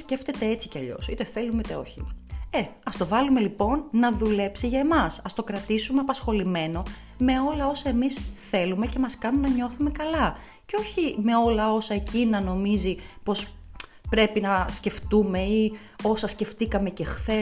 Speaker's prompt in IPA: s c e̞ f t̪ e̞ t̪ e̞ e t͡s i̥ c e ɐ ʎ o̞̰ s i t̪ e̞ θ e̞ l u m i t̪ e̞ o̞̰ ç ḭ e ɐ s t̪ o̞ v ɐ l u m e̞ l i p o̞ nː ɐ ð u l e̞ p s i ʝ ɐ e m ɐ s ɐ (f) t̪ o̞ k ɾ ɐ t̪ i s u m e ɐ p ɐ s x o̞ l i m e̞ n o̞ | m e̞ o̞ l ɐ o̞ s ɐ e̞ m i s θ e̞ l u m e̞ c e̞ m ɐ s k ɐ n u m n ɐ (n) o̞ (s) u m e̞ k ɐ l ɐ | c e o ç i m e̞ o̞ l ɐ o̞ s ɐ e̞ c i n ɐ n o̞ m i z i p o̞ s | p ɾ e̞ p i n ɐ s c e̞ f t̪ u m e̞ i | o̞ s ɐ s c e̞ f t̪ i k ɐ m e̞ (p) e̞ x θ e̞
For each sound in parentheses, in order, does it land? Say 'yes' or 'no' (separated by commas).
no, no, no, no